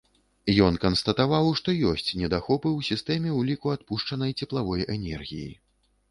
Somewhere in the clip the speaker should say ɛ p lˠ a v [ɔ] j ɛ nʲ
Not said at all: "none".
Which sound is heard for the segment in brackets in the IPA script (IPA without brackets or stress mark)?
ɔ